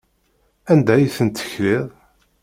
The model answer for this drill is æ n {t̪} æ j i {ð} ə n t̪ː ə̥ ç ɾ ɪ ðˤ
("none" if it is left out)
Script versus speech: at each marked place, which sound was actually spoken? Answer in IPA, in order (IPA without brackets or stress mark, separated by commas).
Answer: d̪, θ